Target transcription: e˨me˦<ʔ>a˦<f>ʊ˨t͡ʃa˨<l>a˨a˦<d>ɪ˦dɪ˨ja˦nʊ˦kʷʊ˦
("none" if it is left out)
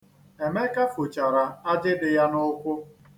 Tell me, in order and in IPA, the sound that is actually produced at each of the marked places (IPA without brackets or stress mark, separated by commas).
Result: k, f, ɾ, d͡ʒ